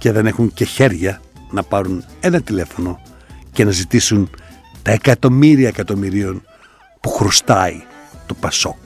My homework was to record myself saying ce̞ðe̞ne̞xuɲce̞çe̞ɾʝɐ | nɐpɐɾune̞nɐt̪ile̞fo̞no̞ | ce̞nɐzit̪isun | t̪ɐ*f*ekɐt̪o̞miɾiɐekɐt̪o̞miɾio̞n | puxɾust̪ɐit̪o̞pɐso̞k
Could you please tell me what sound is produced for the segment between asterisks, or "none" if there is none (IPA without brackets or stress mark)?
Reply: none